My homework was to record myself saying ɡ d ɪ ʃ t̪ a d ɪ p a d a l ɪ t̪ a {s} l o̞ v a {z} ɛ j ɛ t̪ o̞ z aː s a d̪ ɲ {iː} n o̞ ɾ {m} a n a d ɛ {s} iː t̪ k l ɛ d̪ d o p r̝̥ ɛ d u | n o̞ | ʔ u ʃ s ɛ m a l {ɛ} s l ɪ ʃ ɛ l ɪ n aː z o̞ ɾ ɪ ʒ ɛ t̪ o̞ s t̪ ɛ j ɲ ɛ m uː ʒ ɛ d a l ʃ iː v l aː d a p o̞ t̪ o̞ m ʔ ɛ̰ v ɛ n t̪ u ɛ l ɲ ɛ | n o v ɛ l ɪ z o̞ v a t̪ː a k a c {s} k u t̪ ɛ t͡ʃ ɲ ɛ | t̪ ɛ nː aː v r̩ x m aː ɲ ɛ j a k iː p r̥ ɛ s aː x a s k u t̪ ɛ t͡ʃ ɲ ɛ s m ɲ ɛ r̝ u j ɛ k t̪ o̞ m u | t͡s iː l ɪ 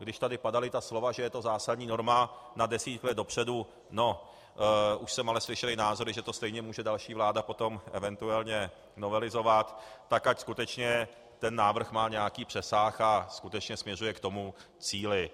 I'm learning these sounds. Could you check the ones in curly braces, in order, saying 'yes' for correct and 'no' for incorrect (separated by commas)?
yes, no, yes, yes, yes, yes, yes